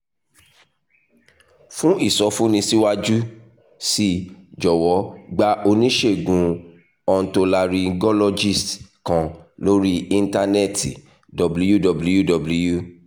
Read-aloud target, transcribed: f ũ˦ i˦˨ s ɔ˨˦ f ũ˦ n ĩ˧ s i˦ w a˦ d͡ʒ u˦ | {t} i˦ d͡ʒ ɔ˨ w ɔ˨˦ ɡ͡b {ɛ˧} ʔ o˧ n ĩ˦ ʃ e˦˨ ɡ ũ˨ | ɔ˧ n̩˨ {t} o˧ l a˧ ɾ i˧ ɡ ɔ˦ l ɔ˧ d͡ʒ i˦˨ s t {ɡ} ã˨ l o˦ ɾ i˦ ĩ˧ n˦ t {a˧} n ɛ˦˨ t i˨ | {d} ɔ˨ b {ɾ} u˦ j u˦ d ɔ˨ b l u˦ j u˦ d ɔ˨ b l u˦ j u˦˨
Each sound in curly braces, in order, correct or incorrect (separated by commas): incorrect, incorrect, correct, incorrect, correct, correct, incorrect